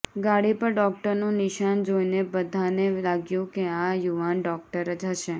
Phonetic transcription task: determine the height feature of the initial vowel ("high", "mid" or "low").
low